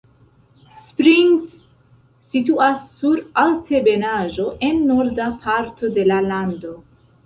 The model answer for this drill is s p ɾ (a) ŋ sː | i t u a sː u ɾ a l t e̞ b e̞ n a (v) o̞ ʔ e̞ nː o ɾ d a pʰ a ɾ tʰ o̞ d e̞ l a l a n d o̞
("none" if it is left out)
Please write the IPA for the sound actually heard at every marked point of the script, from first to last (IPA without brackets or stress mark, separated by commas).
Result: i, ʒ